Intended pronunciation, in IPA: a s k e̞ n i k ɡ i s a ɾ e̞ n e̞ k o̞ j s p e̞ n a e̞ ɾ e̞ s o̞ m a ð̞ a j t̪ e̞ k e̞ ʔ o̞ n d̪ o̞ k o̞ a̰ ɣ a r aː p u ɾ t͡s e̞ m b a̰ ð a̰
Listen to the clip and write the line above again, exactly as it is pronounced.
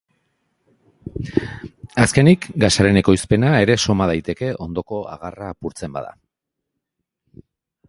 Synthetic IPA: a s k e̞ n i k ɡ a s a ɾ e̞ n e̞ k o̞ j s p e̞ n a e̞ ɾ e̞ s o̞ m a ð̞ a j t̪ e̞ k e̞ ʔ o̞ n d̪ o̞ k o̞ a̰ ɣ a r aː p u ɾ t͡s e̞ m b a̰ ð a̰